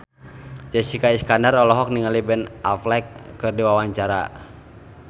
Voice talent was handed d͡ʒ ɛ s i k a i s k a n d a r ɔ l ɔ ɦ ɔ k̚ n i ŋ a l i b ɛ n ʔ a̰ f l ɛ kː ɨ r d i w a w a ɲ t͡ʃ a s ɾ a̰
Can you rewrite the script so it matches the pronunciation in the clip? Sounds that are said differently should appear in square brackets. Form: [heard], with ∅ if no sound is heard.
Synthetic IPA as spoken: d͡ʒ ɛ s i k a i s k a n d a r ɔ l ɔ ɦ ɔ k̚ n i ŋ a l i b ɛ n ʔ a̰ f l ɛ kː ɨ r d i w a w a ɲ t͡ʃ a [∅] ɾ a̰